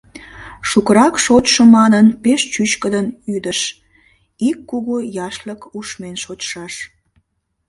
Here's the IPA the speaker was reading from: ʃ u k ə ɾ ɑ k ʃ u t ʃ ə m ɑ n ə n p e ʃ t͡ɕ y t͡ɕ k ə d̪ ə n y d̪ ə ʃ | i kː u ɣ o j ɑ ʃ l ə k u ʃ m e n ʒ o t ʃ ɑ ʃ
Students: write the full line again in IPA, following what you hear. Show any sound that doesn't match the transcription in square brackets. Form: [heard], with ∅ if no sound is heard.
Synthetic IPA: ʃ u k ə ɾ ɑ k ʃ [o] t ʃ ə m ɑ n ə n p e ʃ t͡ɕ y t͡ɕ k ə d̪ ə n y d̪ ə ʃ | i kː u ɣ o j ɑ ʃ l ə k u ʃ m e n [ʃ] o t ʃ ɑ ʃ